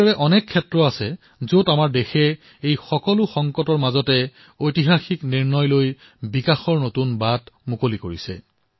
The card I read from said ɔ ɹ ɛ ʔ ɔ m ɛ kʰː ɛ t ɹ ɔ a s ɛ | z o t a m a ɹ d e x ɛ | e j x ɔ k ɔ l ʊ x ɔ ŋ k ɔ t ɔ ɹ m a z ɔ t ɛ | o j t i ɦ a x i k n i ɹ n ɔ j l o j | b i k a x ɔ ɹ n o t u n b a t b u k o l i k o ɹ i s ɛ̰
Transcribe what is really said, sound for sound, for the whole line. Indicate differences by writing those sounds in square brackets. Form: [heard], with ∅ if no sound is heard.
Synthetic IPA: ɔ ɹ ɛ ʔ ɔ [n] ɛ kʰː ɛ t ɹ ɔ a s ɛ | z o t a m a ɹ d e x ɛ | e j x ɔ k ɔ l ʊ x ɔ ŋ k ɔ t ɔ ɹ m a z ɔ t ɛ | o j t i ɦ a x i k n i ɹ n ɔ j l o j | b i k a x ɔ ɹ n o t u n b a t [m] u k o l i k o ɹ i s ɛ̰